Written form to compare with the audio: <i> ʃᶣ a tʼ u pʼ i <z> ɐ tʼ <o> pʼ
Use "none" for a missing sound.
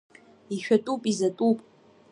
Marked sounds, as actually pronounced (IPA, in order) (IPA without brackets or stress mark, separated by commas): i, z, u